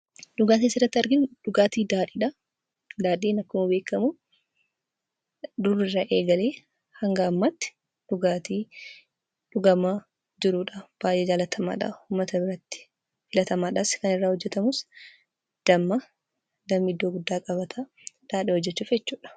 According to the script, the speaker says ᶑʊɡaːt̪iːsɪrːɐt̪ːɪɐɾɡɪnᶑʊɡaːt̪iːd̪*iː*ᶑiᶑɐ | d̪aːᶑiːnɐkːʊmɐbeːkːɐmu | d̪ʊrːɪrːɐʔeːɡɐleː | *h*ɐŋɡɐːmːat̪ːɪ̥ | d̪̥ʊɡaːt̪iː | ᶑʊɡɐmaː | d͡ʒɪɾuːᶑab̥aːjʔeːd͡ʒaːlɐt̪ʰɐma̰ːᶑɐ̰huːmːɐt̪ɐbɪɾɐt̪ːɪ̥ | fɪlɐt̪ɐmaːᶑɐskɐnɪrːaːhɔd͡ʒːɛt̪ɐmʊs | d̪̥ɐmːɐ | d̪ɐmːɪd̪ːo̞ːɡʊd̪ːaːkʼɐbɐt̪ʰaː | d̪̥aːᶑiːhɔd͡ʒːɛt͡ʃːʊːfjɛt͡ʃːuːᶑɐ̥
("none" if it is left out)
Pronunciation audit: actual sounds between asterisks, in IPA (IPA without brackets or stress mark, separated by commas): aː, h